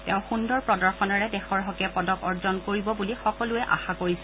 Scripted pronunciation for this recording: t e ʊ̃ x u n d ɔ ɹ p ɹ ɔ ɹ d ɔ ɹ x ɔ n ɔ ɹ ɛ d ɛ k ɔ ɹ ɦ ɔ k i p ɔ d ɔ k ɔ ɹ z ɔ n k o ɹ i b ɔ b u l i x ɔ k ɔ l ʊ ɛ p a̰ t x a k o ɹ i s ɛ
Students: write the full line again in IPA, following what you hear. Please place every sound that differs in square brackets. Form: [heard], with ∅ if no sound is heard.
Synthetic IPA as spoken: t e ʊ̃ x u n d ɔ ɹ p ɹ ɔ [∅] d ɔ ɹ x ɔ n ɔ ɹ ɛ d ɛ [x] ɔ ɹ ɦ ɔ k [ɛ] p ɔ d ɔ k ɔ ɹ z ɔ n k o ɹ i b ɔ b u l i x ɔ k ɔ l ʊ ɛ [ʔ] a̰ [∅] x a k o ɹ i s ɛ